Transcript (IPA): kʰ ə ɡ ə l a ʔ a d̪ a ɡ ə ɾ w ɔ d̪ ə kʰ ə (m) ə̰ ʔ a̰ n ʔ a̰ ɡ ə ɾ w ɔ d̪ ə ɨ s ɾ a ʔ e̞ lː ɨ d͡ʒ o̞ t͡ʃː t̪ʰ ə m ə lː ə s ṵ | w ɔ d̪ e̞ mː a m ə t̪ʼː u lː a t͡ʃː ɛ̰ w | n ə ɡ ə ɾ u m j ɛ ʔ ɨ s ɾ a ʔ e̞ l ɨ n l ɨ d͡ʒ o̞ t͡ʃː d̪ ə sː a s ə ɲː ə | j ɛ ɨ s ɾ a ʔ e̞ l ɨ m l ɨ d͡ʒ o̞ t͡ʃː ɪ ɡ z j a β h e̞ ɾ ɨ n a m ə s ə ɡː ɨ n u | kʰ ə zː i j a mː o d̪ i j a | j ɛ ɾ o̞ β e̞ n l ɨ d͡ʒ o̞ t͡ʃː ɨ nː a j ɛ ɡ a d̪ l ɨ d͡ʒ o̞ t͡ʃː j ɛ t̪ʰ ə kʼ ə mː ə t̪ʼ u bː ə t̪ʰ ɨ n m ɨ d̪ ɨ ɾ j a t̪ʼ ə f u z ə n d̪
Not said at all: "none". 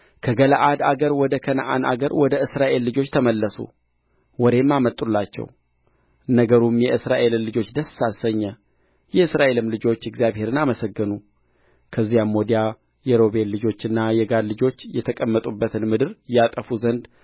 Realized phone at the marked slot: n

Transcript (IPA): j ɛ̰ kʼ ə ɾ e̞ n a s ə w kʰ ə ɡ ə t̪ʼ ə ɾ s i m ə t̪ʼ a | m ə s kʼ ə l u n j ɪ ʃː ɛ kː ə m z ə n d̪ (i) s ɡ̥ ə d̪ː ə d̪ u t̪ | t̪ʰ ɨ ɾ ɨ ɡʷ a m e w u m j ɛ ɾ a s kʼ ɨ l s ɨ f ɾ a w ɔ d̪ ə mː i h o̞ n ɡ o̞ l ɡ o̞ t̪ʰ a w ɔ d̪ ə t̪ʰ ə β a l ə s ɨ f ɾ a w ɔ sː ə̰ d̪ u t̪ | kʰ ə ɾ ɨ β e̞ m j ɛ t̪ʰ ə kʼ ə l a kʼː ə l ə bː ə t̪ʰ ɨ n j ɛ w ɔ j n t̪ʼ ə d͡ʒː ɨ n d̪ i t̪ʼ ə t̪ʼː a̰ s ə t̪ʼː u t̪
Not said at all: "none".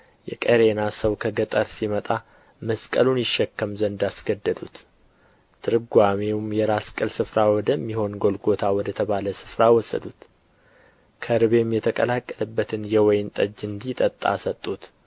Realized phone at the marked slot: a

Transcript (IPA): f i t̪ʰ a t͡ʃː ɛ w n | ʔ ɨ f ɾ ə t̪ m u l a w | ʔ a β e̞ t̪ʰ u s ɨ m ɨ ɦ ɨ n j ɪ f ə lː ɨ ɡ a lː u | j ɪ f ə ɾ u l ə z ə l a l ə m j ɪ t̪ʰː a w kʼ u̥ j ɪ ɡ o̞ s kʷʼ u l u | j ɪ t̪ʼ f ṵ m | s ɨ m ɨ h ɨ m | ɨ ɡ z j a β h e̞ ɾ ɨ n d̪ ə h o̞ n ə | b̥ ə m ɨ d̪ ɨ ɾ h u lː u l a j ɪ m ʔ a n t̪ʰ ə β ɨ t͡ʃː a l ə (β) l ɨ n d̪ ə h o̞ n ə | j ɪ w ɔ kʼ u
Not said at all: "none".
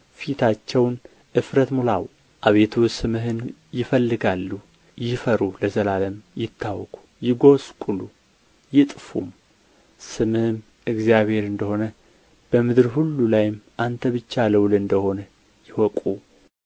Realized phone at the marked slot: w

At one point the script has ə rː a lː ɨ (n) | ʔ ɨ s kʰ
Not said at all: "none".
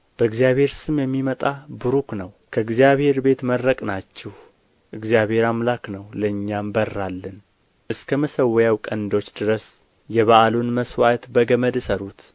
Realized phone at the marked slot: n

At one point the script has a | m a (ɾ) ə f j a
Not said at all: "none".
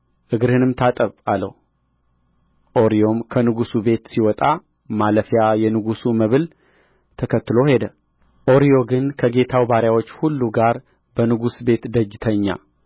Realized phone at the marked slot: l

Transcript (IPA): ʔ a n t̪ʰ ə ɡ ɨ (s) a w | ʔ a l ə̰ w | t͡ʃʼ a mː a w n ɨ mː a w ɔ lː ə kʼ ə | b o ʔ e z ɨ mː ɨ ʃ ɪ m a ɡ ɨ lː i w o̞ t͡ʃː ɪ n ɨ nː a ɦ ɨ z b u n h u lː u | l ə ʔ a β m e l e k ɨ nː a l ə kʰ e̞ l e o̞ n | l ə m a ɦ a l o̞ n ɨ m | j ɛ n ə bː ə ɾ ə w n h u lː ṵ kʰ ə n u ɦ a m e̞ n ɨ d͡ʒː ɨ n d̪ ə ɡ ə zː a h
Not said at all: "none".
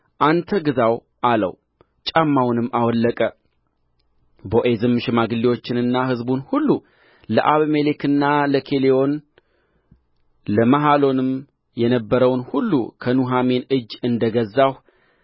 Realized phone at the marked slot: z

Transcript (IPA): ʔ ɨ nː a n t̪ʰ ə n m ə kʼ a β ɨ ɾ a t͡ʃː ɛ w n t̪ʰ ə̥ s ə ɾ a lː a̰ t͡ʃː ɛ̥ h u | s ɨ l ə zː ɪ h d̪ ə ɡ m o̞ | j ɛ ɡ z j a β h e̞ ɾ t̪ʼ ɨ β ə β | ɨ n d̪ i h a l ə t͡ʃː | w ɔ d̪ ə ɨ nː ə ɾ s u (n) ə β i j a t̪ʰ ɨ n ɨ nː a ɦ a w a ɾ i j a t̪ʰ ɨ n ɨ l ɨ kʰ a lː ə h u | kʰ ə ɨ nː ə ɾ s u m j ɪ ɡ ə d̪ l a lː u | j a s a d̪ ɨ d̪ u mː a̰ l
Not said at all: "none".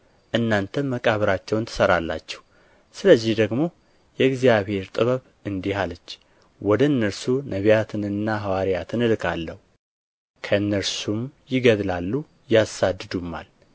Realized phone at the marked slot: n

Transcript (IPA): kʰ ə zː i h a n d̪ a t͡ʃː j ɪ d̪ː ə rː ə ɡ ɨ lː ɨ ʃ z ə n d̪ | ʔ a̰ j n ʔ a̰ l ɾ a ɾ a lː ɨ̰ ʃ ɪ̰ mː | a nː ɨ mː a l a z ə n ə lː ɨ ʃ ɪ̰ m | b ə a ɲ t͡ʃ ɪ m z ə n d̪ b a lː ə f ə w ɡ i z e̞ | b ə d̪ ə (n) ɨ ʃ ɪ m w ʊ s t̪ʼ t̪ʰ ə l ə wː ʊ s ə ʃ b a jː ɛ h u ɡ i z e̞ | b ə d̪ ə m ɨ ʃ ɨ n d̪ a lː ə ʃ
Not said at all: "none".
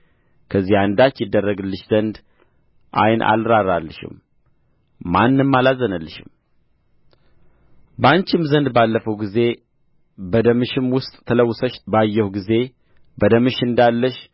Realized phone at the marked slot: m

